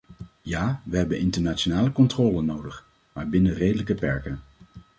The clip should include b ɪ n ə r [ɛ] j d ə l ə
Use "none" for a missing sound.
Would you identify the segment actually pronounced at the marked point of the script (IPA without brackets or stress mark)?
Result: e